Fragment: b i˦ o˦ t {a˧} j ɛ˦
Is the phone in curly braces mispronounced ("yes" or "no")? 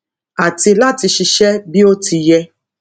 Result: yes